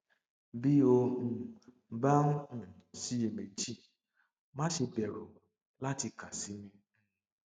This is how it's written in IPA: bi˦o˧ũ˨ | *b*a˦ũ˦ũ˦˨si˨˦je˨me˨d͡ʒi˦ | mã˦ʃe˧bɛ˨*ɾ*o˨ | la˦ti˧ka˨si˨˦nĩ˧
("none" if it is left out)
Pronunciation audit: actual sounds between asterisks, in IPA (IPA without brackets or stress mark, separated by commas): b, ɾ